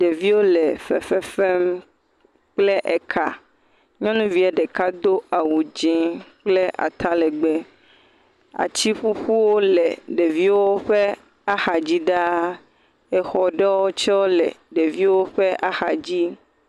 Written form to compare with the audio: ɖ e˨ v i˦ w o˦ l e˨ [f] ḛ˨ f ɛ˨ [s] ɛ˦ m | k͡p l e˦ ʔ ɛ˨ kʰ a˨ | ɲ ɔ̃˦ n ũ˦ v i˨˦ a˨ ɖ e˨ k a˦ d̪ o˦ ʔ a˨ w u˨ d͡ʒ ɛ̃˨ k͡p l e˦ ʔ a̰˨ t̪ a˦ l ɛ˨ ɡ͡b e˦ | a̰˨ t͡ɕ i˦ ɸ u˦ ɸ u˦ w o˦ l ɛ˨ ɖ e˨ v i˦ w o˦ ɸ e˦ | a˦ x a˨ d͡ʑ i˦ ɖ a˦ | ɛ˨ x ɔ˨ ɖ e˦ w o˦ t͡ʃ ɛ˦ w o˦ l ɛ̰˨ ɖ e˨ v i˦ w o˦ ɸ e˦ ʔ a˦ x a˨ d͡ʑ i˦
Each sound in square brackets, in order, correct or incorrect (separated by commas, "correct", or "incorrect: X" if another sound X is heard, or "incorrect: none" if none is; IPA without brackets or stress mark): correct, incorrect: f